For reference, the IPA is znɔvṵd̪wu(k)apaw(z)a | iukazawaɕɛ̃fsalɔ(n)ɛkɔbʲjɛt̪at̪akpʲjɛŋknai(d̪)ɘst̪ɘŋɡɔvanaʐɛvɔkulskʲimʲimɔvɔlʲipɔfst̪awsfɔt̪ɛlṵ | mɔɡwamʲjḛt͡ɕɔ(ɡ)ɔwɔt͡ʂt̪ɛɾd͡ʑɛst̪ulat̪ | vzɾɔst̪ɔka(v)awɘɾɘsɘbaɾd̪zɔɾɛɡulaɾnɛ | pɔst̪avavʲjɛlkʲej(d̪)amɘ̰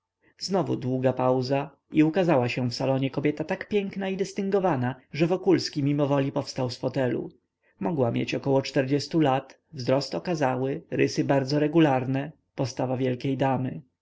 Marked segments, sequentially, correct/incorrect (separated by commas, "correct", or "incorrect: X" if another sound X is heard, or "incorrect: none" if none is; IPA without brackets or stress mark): incorrect: ɡ, correct, incorrect: ɲ, correct, incorrect: k, incorrect: z, correct